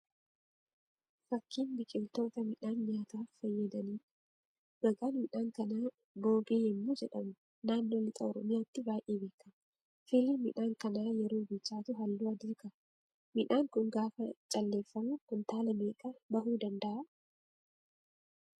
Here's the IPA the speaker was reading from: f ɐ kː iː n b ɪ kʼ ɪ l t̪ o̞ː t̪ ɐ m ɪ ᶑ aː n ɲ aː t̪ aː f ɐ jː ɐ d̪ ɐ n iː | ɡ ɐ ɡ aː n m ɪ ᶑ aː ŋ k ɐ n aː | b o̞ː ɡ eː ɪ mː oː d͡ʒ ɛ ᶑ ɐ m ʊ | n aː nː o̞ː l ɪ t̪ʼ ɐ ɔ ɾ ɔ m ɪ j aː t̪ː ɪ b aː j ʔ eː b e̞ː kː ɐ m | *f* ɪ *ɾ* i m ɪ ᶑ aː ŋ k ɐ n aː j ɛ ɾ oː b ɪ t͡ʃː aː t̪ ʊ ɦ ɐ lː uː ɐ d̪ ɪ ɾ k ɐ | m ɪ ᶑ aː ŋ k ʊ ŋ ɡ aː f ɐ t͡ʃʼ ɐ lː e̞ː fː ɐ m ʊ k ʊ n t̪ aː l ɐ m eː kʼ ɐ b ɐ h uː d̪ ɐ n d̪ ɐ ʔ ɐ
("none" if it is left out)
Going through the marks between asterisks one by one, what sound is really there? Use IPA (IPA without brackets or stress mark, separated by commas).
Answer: f, l